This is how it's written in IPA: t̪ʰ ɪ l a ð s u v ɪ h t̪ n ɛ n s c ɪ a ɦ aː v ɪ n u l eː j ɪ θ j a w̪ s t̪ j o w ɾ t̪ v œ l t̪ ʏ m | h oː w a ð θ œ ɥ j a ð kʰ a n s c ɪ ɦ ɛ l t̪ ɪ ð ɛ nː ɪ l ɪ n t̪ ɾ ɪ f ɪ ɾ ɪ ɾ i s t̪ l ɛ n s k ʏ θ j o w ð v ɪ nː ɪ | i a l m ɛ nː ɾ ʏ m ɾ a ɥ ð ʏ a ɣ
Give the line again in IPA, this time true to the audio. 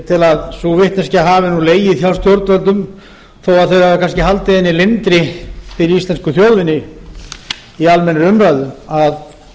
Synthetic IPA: t̪ʰ ɪ l a ð s u v ɪ h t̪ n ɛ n s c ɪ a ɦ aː v ɪ n u l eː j ɪ θ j a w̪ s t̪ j o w ɾ t̪ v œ l t̪ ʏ m | θ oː w a ð θ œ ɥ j a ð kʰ a n s c ɪ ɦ a l t̪ ɪ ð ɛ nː ɪ l ɪ n t̪ ɾ ɪ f ɪ ɾ ɪ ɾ i s t̪ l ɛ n s k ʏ θ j o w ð v ɪ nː ɪ | i a l m ɛ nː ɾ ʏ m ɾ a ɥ ð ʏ a ð